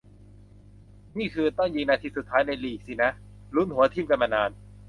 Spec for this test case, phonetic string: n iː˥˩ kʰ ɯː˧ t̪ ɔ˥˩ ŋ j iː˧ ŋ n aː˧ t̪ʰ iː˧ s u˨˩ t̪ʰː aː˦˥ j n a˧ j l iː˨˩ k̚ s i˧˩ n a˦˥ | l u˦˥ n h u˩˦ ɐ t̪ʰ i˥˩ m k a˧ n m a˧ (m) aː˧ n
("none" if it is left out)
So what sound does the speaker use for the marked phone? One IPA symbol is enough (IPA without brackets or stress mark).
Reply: n